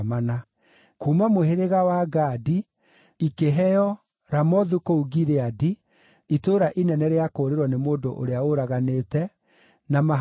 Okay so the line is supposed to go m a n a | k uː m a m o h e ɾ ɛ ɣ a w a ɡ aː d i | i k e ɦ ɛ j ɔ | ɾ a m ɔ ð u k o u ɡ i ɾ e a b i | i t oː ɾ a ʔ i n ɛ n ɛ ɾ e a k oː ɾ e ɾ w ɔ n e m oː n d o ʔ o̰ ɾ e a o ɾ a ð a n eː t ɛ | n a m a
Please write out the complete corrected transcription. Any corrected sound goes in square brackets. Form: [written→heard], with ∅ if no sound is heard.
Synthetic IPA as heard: m a n a | k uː m a m o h e ɾ [ɛ→e] ɣ a w a ɡ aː d i | i k e ɦ ɛ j ɔ | ɾ a m ɔ ð u k o u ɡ i ɾ e a [b→d] i | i t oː ɾ a ʔ i n ɛ n ɛ ɾ e a k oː ɾ e ɾ w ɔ n e m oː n d o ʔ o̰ ɾ e a o ɾ a [ð→ɣ] a n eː t ɛ | n a m a